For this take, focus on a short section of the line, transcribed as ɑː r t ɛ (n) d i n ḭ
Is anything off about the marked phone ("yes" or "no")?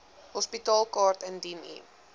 no